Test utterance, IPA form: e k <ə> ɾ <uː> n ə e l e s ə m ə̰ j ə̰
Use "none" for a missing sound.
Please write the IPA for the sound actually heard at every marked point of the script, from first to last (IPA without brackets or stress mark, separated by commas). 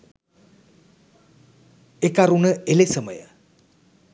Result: a, u